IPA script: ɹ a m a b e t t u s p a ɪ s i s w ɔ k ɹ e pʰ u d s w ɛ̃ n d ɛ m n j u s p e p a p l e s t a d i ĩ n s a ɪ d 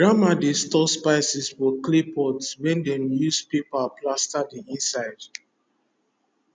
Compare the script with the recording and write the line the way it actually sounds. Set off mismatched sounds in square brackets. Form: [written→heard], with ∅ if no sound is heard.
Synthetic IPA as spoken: ɹ a m a [b→d] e [t→s] t [u→ɔ] s p a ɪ s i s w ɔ k [ɹ→l] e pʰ [u→ɔ] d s w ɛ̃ n d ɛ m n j u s p e p a p l [e→a] s t a d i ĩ n s a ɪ d